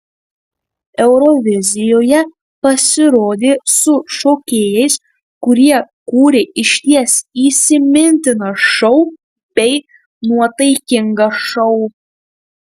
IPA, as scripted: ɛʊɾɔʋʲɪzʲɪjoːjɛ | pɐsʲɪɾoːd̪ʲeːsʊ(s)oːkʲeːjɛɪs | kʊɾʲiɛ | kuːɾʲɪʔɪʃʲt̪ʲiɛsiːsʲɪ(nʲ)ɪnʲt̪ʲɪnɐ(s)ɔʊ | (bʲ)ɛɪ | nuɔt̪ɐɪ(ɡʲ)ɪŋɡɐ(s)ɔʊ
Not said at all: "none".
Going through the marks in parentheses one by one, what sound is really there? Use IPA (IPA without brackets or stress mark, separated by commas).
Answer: ʃ, mʲ, ʃ, bʲ, kʲ, ʃ